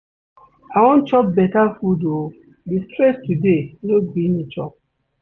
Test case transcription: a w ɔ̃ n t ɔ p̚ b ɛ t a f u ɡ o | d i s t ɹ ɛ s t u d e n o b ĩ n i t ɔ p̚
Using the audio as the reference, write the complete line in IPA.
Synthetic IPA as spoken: a w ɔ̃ n t͡ʃ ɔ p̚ b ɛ t a f u d o | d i s t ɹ ɛ s t u d e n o b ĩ n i t͡ʃ ɔ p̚